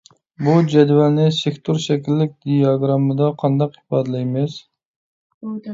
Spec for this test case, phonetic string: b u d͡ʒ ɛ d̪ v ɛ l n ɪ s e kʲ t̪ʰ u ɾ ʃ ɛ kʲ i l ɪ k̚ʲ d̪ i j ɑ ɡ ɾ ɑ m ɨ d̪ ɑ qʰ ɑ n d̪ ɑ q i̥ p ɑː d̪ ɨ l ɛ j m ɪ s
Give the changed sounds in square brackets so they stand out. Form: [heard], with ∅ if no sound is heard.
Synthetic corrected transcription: b u d͡ʒ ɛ d̪ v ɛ l n ɪ s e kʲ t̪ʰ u ɾ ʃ ɛ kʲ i [lː] ɪ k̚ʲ d̪ i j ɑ ɡ ɾ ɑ m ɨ d̪ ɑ qʰ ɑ n d̪ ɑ q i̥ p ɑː d̪ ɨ l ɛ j m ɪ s